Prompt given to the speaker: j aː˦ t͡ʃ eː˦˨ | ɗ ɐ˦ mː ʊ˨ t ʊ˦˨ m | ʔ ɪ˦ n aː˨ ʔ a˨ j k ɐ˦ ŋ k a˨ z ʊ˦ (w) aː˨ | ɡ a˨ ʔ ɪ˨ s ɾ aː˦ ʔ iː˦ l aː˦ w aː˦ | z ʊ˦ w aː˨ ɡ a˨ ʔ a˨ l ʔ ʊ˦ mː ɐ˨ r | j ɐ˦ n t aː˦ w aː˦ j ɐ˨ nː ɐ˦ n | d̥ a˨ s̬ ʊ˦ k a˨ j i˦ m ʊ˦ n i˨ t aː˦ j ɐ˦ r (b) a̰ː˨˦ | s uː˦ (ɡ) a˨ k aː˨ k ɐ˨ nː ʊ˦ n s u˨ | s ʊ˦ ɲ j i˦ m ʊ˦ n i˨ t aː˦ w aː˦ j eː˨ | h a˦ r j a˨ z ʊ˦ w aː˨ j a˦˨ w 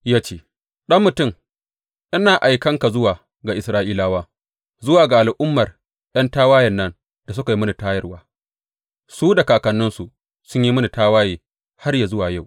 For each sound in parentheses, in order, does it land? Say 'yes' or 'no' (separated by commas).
yes, no, no